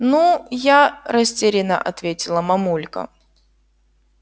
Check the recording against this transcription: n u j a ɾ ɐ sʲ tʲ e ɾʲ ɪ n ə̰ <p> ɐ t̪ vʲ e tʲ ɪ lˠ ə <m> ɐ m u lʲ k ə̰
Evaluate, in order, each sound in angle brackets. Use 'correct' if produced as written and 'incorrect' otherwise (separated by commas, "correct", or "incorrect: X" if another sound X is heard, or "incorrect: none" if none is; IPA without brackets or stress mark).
incorrect: ʔ, correct